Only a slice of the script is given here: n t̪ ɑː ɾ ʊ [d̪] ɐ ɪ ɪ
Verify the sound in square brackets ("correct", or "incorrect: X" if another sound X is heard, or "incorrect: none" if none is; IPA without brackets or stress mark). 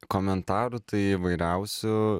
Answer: incorrect: t̪